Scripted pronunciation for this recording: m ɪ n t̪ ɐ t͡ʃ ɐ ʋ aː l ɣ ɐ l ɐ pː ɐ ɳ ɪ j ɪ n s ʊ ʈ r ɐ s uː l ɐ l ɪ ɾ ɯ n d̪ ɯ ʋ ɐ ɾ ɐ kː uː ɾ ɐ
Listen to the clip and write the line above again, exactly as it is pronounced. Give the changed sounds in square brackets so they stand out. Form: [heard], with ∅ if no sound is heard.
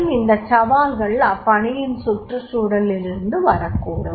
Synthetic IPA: m ɪ n [d̪] ɐ t͡ʃ ɐ ʋ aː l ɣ ɐ [ɭ] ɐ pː ɐ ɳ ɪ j ɪ n s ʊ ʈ r ɐ s uː [ɽ] ɐ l ɪ ɾ ɯ n d̪ ɯ ʋ ɐ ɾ ɐ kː uː [ɽ] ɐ